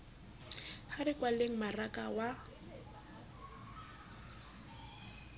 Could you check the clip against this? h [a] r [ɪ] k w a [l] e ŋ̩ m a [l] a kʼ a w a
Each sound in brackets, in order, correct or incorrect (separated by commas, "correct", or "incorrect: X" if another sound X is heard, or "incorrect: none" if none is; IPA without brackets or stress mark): correct, correct, correct, incorrect: r